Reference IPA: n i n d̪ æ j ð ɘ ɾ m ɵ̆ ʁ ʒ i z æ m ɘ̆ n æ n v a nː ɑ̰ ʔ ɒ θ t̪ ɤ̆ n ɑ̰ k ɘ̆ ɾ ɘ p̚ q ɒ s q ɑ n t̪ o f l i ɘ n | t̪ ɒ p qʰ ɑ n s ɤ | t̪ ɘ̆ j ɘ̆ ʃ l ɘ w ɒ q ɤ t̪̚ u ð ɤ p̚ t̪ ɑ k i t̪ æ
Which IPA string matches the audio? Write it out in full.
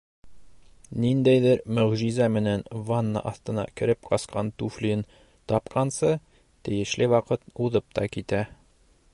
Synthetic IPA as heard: n i n d̪ æ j ð ɘ ɾ m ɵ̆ ʁ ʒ i z æ m ɘ̆ n æ n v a nː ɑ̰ ʔ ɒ θ t̪ ɤ̆ n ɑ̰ k ɘ̆ ɾ ɘ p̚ q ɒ s q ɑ n t̪ u f l i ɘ n | t̪ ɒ p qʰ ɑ n s ɤ | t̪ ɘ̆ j ɘ̆ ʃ l ɘ w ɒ q ɤ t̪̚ u ð ɤ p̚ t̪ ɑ k i t̪ æ